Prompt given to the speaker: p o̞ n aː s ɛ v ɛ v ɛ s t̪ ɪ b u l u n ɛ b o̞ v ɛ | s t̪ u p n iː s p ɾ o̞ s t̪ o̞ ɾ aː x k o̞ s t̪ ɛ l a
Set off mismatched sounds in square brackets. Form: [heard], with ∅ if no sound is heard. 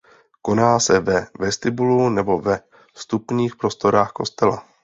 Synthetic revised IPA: [k] o̞ n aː s ɛ v ɛ v ɛ s t̪ ɪ b u l u n ɛ b o̞ v ɛ | s t̪ u p [ɲ] iː [x] p ɾ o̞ s t̪ o̞ ɾ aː x k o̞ s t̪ ɛ l a